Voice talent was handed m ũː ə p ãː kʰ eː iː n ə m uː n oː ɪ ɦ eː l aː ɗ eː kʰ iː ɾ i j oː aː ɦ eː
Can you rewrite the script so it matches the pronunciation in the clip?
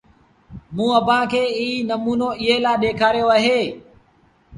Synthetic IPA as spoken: m ũː ə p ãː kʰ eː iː n ə m uː n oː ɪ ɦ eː l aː ɗ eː kʰ aː ɾ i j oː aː ɦ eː